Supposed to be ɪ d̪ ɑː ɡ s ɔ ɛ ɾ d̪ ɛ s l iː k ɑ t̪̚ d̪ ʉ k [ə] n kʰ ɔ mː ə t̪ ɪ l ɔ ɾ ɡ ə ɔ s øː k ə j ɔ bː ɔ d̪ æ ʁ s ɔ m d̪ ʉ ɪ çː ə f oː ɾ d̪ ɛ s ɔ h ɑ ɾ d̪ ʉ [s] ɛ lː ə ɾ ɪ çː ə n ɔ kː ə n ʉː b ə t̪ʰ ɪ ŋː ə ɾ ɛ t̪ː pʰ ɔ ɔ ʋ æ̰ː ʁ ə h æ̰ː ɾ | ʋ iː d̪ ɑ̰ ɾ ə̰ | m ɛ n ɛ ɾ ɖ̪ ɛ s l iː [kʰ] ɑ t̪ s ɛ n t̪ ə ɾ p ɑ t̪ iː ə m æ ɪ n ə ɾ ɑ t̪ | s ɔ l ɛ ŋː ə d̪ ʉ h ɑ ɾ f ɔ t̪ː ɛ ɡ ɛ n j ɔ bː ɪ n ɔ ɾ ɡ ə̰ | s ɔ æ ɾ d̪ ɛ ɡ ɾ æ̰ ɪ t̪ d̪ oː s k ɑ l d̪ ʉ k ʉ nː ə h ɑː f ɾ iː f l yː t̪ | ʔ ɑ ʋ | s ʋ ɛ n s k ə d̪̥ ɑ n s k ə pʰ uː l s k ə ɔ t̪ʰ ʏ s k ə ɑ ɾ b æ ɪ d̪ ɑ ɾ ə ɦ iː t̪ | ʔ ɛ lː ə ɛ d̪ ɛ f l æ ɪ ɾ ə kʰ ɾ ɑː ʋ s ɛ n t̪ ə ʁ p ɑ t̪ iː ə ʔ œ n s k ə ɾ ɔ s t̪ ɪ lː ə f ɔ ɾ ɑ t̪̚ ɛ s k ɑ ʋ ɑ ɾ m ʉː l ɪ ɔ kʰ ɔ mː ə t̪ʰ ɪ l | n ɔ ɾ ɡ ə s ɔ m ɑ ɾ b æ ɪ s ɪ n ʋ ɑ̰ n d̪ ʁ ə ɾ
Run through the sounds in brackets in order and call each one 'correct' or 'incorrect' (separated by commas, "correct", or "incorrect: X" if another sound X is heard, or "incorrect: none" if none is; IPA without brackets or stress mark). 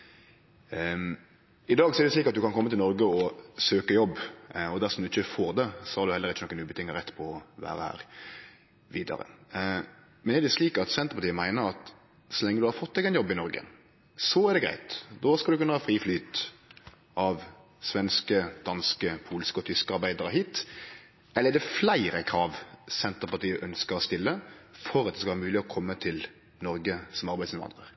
incorrect: ɑ, incorrect: h, incorrect: k